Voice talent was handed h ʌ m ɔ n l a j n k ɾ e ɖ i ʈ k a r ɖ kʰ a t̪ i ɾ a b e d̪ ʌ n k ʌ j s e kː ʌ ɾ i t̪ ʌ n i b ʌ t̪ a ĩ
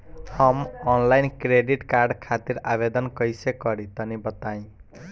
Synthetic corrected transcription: h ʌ m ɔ n l a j n k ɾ e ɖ i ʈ k a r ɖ kʰ a t̪ i ɾ a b e d̪ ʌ n k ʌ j s e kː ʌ ɾ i t̪ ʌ n i b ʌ t̪ a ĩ